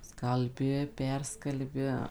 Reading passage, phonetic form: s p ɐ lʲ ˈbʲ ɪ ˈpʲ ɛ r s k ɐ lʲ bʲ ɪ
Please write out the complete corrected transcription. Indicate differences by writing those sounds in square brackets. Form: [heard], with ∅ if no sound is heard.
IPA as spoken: s [k] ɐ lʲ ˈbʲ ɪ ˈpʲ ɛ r s k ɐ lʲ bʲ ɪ